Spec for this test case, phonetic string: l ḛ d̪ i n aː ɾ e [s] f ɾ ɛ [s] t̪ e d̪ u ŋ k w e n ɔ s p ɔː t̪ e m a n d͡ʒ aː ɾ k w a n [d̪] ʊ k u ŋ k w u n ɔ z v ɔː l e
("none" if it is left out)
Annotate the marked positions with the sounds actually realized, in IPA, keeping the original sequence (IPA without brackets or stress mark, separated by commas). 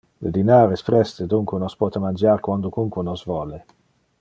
s, s, d̪